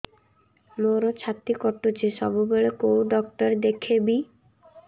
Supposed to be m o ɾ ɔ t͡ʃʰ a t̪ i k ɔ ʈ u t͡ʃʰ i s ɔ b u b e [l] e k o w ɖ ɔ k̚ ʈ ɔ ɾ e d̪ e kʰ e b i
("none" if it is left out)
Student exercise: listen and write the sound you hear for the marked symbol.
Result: ɭ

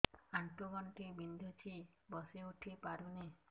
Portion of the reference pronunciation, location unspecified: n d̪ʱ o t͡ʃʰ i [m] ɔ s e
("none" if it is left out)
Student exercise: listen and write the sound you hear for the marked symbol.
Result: b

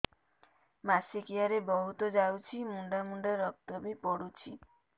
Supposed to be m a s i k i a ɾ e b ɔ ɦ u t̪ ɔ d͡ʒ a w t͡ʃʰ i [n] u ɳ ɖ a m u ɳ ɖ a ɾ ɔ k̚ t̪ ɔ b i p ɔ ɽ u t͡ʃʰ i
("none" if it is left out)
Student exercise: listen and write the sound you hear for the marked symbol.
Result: m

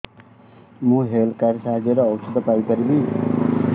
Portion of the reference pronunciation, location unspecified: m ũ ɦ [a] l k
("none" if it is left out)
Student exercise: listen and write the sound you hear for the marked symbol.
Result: e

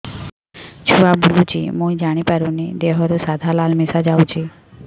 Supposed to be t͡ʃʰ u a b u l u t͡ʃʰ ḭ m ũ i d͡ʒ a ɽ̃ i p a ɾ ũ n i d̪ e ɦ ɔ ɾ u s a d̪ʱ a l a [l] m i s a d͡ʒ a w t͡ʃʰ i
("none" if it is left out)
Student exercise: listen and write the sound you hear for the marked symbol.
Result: l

